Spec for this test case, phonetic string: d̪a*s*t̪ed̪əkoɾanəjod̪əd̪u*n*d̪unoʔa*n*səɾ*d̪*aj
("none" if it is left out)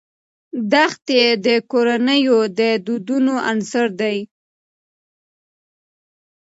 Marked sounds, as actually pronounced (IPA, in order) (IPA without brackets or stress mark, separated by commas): x, none, n, d̪